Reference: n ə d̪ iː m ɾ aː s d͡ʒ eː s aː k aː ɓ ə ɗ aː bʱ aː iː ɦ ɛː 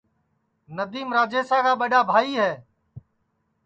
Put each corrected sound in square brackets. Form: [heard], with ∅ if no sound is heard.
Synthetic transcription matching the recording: n ə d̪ iː m ɾ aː [∅] d͡ʒ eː s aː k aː ɓ ə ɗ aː bʱ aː iː ɦ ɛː